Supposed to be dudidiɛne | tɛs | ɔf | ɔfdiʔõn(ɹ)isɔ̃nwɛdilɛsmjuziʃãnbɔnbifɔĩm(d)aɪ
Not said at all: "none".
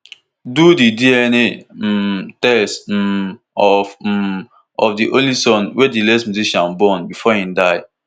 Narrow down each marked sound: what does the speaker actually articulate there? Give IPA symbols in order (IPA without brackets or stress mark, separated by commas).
l, d